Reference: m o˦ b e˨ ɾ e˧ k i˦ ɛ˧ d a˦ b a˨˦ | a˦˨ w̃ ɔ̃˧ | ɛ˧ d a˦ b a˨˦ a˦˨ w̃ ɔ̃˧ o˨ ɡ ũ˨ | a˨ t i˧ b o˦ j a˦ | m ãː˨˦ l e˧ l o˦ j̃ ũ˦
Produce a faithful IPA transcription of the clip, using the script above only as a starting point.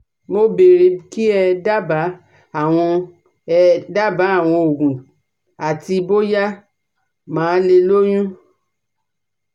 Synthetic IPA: m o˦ b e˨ ɾ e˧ k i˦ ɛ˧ d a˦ b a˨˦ | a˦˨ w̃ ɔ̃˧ | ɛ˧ d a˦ b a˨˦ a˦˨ w̃ ɔ̃˧ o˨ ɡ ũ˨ | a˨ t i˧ b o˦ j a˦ | m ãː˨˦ l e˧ l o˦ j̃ ũ˦